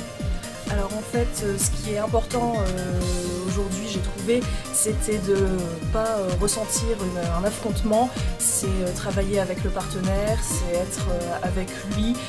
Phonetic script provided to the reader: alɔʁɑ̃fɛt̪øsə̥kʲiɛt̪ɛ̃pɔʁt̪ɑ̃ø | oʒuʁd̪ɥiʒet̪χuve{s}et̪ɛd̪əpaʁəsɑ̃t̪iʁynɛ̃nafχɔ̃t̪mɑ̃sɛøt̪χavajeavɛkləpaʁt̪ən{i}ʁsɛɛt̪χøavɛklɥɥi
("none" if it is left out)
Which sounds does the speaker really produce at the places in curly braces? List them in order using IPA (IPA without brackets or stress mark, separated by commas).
s, ɛ